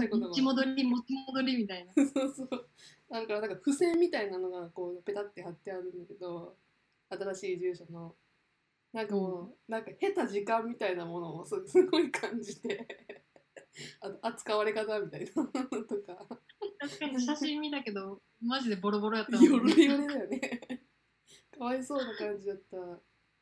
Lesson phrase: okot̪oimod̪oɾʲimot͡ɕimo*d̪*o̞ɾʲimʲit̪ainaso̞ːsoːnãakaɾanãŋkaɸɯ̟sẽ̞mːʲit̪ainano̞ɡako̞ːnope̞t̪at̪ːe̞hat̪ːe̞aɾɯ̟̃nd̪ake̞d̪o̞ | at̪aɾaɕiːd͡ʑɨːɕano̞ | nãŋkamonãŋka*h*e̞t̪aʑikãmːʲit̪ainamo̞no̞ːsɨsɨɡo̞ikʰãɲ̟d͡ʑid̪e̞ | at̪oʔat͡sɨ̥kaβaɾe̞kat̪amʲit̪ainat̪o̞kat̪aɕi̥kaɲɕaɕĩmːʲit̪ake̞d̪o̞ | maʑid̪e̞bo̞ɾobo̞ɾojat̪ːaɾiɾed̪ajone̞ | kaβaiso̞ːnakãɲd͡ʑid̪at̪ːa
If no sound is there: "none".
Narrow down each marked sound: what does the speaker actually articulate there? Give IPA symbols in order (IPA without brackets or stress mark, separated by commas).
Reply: d̪, h